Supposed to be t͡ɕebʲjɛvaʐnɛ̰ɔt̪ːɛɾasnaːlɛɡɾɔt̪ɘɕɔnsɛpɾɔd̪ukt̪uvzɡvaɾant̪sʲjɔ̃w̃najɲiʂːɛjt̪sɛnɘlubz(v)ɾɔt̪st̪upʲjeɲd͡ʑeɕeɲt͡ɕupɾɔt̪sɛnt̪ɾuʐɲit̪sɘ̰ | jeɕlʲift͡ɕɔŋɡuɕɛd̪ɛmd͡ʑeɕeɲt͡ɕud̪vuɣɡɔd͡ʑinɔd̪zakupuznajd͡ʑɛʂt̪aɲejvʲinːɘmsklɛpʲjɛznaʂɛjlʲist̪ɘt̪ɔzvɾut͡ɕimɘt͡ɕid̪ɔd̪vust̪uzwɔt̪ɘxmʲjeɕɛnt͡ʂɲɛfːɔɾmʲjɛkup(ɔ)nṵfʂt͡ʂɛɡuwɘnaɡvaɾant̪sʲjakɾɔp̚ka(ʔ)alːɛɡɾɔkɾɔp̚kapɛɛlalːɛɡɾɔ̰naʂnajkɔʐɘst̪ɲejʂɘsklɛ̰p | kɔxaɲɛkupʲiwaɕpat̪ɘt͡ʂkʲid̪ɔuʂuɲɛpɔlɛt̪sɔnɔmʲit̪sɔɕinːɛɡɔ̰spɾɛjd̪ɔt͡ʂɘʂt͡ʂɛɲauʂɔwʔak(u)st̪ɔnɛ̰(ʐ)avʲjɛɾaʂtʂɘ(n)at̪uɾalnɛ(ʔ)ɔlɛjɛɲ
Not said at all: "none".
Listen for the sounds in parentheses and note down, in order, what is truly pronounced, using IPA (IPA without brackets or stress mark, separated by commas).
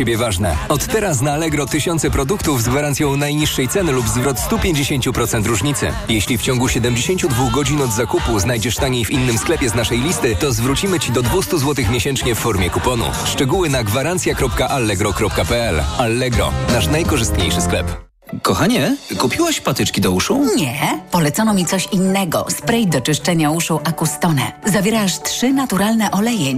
v, ɔ, ʔ, u, z, n, ʔ